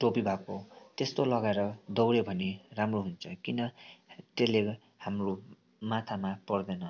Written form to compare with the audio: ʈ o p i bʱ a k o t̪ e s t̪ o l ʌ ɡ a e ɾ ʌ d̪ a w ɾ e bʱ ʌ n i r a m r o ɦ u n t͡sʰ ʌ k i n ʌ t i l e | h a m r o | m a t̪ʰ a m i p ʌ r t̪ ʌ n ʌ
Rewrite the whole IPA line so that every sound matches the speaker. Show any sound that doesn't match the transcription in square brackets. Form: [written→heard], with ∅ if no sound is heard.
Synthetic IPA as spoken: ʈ o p i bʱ a k o t̪ e s t̪ o l ʌ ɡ a e ɾ ʌ d̪ [a→ʌ] w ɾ e bʱ ʌ n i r a m r o ɦ u n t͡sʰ ʌ k i n ʌ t [i→e] l e | h a m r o | m a t̪ʰ a m [i→a] p ʌ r [t̪→d̪] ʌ n ʌ